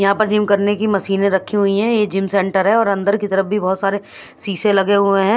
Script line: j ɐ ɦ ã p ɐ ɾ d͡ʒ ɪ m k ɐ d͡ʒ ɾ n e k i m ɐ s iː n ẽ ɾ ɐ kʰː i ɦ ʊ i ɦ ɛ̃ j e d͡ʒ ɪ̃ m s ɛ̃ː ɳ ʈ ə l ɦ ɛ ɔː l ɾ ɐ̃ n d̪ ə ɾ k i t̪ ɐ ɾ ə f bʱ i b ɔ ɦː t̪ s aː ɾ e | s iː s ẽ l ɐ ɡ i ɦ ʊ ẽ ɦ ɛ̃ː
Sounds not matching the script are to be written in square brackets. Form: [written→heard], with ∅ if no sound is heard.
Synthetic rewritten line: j ɐ ɦ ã p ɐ ɾ d͡ʒ ɪ m k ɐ [d͡ʒ→∅] ɾ n e k i m ɐ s iː n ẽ ɾ ɐ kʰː i ɦ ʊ i ɦ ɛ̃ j e d͡ʒ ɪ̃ m s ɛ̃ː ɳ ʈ ə [l→ɾ] ɦ ɛ ɔː [l→∅] ɾ ɐ̃ n d̪ ə ɾ k i t̪ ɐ ɾ ə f bʱ i b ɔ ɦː t̪ s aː ɾ e | s iː s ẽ l ɐ ɡ [i→e] ɦ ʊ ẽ ɦ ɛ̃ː